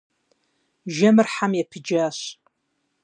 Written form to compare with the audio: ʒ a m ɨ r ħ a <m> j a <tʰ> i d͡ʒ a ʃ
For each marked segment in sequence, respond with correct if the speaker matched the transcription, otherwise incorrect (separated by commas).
correct, incorrect